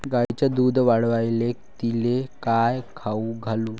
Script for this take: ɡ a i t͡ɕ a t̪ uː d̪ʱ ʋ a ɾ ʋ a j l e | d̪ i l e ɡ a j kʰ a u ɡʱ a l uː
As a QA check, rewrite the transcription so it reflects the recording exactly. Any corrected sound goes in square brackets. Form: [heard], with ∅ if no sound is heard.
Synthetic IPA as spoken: ɡ a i t͡ɕ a [d̪] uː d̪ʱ ʋ a [ɽ] ʋ a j l e | [t̪] i l e [k] a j kʰ a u ɡʱ a l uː